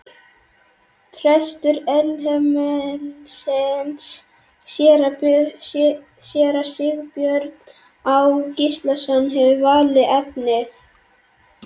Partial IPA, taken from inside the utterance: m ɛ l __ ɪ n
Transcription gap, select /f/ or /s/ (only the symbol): s